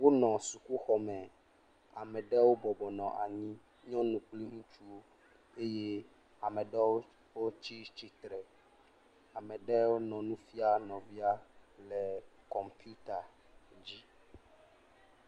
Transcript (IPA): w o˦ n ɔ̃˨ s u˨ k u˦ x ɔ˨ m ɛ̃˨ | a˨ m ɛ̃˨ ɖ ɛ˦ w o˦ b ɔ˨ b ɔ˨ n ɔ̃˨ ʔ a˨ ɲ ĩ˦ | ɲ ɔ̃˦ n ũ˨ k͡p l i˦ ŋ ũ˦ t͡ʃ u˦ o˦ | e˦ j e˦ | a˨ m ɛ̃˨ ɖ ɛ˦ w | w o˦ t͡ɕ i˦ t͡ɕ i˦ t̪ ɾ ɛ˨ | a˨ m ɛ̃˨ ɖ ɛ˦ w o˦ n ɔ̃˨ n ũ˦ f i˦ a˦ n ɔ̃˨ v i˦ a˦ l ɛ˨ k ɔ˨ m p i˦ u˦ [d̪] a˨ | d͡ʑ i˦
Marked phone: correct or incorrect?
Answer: incorrect